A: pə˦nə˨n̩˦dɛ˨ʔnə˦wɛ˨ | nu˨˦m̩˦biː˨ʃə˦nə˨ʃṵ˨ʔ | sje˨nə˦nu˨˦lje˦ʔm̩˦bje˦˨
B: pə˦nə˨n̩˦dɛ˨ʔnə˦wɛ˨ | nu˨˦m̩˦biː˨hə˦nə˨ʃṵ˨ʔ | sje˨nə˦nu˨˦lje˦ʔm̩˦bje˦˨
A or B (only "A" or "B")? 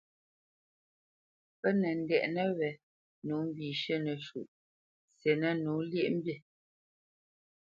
A